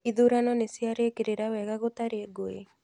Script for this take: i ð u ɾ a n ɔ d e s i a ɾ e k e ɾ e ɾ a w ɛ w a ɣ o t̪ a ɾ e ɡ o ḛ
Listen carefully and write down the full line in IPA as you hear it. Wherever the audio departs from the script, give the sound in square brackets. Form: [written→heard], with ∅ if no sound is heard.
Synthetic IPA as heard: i ð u ɾ a n ɔ [d→n] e s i a ɾ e k e ɾ e ɾ a w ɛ [w→ɣ] a ɣ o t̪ a ɾ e ɡ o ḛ